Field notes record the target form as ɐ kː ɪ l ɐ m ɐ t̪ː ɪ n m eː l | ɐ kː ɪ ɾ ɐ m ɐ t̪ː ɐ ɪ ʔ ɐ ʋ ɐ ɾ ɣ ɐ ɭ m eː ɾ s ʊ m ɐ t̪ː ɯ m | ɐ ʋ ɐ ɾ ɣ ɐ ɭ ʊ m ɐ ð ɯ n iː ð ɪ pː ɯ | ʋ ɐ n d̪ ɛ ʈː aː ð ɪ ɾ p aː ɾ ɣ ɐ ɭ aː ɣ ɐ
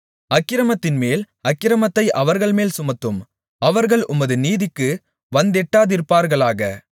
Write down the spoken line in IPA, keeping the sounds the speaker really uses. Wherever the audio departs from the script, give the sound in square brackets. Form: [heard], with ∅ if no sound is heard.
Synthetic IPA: ɐ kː ɪ [ɾ] ɐ m ɐ t̪ː ɪ n m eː l | ɐ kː ɪ ɾ ɐ m ɐ t̪ː ɐ ɪ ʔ ɐ ʋ ɐ ɾ ɣ ɐ ɭ m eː [l] s ʊ m ɐ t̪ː ɯ m | ɐ ʋ ɐ ɾ ɣ ɐ ɭ ʊ m ɐ ð ɯ n iː ð ɪ [kː] ɯ | ʋ ɐ n d̪ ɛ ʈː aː ð ɪ ɾ p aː ɾ ɣ ɐ ɭ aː ɣ ɐ